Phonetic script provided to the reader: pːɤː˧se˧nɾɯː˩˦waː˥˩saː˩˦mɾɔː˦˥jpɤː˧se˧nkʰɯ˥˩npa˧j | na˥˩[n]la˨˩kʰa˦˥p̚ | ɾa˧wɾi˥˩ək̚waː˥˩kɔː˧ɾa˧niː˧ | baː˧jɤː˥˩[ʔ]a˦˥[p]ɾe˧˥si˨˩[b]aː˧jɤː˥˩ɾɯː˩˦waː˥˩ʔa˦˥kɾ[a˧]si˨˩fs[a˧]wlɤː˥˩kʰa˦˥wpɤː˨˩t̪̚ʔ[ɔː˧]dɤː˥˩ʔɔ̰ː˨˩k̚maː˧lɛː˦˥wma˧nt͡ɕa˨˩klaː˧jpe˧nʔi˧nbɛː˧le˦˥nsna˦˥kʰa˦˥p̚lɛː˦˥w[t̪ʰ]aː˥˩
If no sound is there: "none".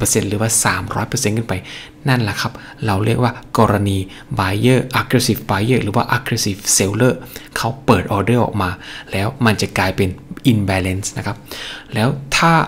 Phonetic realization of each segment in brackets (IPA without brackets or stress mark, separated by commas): n, ʔ, k, b, e˧, e˧, ɔː˧, t̪ʰ